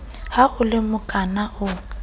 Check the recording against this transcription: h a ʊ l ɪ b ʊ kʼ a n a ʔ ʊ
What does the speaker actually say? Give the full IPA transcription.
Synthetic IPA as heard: h a ʊ l ɪ m ʊ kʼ a n a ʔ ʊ

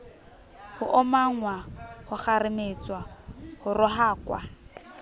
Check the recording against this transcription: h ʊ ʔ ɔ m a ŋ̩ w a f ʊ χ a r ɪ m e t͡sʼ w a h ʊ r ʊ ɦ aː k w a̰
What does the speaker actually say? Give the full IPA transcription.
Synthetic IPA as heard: h ʊ ʔ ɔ m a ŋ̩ w a h ʊ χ a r ɪ m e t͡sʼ w a h ʊ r ʊ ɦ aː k w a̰

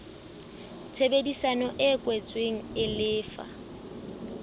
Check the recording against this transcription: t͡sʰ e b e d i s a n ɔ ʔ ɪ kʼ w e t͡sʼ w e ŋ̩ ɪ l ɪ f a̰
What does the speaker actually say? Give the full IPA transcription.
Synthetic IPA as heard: t͡sʰ e b e d i s a n ɔ ʔ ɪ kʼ w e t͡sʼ w e ŋ̩ ɪ l ɪː f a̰

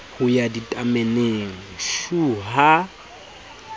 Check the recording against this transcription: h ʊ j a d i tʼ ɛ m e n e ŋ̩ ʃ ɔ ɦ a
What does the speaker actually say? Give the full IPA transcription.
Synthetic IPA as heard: h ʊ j a d i tʼ a m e n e ŋ̩ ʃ u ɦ a

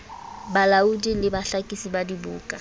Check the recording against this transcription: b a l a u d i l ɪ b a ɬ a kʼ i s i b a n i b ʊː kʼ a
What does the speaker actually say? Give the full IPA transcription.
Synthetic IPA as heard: b a l a u d i l ɪ b a ɬ a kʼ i s i b a d i b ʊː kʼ a

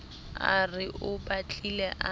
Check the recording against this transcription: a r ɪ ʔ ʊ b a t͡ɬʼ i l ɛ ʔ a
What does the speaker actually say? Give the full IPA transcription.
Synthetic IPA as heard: a r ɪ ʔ ʊ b a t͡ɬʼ i l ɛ ʔ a

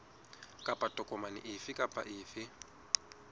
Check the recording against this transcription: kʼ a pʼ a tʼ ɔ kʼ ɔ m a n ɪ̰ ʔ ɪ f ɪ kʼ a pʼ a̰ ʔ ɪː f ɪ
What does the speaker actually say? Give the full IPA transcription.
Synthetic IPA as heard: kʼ a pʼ a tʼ ɔ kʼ ɔ m a n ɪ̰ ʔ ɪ f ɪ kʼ a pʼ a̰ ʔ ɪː f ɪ

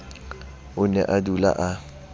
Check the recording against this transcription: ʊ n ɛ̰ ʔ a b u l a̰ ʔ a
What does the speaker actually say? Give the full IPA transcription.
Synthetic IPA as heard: ʊ n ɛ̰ ʔ a d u l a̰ ʔ a

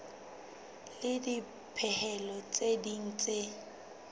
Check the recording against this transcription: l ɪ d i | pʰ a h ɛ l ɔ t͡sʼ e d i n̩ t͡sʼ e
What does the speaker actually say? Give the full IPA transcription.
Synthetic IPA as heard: l ɪ d i | pʰ ɛ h ɛ l ɔ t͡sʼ e d i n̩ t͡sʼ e

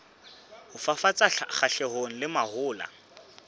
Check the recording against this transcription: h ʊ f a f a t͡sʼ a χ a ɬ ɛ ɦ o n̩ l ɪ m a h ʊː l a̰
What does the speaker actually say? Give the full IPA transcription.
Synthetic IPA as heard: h ʊ f a f a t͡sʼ a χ a ɬ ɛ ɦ o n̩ l ɪ m a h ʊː l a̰

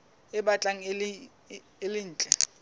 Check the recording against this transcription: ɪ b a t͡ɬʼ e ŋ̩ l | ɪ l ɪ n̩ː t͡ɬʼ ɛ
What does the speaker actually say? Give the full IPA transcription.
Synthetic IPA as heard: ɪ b a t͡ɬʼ a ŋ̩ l | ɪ l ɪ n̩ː t͡ɬʼ ɛ

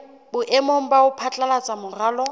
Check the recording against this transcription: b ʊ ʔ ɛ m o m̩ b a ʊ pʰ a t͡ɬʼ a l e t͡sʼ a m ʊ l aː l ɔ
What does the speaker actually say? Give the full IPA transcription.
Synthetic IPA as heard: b ʊ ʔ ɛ m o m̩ b a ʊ pʰ a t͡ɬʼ a l a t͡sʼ a m ʊ r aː l ɔ

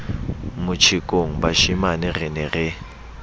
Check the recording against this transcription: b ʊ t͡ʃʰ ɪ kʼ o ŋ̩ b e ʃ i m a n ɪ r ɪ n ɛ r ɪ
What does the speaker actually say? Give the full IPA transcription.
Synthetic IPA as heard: m ʊ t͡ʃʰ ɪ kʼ o ŋ̩ b a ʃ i m a n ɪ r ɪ n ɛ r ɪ

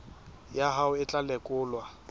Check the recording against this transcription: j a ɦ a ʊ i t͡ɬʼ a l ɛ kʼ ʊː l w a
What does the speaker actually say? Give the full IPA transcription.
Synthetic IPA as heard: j a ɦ a ʊ ɪ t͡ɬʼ a l ɛ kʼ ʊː l w a

